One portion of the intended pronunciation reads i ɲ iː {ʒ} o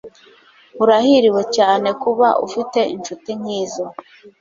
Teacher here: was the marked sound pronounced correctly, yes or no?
no